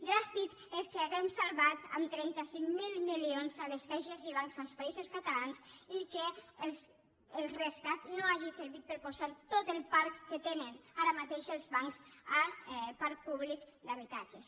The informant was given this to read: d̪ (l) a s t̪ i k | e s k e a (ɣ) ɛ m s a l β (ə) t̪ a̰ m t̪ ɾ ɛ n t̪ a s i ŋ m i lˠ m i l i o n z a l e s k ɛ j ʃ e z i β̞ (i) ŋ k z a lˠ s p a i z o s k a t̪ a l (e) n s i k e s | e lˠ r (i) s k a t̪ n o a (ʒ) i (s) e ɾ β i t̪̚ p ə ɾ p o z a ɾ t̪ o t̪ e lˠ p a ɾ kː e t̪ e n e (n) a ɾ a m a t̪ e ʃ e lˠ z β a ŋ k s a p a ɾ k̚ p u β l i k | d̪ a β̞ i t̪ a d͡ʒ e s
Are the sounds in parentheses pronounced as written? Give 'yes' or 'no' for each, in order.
no, yes, no, no, no, no, yes, yes, yes

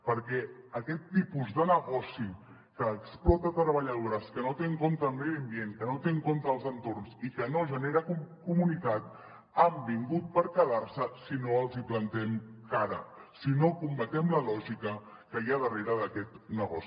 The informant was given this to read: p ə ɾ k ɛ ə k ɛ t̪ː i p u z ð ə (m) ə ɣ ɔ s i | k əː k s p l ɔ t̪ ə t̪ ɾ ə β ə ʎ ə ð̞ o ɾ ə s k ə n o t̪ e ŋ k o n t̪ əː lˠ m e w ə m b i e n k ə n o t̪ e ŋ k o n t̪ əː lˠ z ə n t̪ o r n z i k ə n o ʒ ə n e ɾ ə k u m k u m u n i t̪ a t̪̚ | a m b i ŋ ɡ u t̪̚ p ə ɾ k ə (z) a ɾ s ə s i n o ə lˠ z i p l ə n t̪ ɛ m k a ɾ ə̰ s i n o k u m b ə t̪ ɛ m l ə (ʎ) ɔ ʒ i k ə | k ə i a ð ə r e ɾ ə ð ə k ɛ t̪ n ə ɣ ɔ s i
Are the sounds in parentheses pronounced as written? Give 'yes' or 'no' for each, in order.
no, no, no

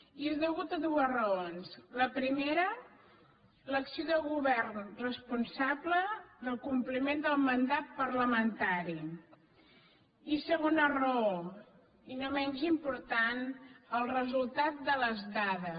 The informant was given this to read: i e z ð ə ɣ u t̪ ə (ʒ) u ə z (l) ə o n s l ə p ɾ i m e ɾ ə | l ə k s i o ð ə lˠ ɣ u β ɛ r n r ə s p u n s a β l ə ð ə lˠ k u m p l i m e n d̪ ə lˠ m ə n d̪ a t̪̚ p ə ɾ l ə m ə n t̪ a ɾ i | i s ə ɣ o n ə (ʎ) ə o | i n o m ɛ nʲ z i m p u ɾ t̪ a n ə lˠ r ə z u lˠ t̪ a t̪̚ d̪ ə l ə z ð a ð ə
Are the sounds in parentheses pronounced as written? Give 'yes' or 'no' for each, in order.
no, no, no

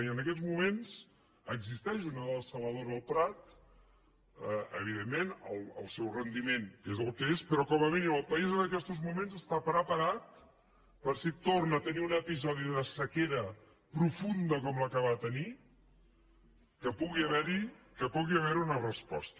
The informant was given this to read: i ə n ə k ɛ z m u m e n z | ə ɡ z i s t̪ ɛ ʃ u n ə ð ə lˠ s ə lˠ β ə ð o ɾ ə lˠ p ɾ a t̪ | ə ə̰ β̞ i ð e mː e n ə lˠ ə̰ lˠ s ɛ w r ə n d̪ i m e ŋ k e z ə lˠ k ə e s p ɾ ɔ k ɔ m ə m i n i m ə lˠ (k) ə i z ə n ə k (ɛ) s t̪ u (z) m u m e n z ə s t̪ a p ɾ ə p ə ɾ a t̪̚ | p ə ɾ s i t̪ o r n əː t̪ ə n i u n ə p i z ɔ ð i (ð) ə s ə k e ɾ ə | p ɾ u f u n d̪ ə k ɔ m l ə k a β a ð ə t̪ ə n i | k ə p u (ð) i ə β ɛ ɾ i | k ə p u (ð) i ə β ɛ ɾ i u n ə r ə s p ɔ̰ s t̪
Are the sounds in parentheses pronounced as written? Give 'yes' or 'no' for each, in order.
no, yes, yes, yes, no, no

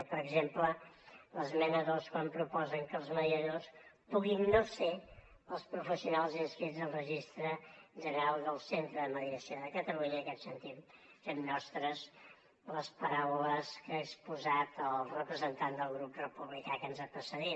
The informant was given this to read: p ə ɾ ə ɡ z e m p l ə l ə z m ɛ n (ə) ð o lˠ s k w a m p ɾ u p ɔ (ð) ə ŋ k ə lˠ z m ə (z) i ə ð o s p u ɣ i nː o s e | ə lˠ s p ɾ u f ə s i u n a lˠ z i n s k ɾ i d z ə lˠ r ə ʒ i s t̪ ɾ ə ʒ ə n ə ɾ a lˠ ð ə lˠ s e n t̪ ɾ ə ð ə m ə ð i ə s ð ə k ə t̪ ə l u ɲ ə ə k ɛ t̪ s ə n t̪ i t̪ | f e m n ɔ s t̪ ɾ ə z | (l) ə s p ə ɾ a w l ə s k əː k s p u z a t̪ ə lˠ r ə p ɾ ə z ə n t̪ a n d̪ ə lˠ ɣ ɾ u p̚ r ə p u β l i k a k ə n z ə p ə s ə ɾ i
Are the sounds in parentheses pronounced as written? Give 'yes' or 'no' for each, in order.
yes, no, no, yes

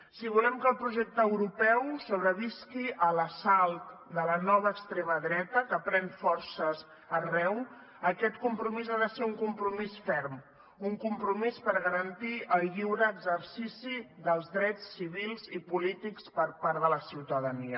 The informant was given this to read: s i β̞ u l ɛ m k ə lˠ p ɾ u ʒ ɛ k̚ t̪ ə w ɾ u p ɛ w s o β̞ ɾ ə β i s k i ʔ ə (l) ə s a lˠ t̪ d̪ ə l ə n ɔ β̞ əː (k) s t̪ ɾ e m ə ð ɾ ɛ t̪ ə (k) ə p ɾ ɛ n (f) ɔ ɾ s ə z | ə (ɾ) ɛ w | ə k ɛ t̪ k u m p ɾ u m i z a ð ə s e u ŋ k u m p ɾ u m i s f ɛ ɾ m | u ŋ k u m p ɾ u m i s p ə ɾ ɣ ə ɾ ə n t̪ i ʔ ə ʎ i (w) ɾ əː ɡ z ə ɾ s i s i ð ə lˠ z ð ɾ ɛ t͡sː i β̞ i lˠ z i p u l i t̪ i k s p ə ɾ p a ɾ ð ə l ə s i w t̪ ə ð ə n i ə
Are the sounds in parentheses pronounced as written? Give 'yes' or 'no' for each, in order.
yes, yes, yes, yes, no, yes

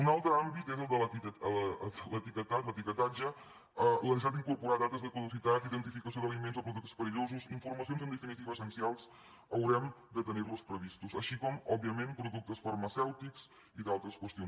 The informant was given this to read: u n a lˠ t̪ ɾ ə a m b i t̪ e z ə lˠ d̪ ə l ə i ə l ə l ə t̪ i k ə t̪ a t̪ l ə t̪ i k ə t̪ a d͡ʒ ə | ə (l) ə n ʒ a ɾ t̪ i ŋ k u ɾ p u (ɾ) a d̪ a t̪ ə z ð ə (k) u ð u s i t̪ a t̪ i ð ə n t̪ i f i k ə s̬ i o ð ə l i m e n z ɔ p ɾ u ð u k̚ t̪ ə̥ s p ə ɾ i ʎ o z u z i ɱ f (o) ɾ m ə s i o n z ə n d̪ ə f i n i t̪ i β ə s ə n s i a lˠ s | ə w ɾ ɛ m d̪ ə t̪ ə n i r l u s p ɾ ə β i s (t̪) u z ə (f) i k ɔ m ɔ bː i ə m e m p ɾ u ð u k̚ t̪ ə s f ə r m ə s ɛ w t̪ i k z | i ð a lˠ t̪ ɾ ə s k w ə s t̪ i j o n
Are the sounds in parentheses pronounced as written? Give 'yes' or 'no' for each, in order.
yes, yes, yes, no, yes, no

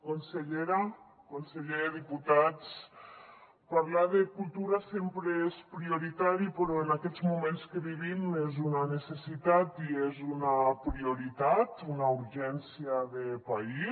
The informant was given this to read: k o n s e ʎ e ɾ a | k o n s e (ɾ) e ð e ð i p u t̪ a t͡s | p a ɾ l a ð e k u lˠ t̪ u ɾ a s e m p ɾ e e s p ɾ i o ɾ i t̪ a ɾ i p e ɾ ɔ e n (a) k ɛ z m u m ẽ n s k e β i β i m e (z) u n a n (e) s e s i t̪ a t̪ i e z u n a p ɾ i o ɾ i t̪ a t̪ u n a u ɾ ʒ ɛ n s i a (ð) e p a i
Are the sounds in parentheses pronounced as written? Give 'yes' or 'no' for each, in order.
no, yes, yes, yes, yes

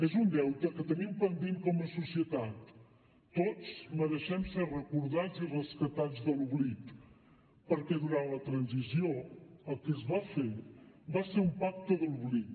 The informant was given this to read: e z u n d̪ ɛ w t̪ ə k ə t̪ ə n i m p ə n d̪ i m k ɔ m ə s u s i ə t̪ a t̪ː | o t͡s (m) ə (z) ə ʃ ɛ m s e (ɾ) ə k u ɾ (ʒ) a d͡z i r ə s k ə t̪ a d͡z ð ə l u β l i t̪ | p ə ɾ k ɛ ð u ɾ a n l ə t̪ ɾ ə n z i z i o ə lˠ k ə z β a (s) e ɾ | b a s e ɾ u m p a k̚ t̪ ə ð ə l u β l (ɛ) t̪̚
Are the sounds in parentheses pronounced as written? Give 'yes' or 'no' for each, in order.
yes, no, no, no, no, no

